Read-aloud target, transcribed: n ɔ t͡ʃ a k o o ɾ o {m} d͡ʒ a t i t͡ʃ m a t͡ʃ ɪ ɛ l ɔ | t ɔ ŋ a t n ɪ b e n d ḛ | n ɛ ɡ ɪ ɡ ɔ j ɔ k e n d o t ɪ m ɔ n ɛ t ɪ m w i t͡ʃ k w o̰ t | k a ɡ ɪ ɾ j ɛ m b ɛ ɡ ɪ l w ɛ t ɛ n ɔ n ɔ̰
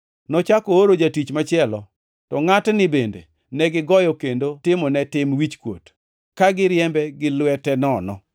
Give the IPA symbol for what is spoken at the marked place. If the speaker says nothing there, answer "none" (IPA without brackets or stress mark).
none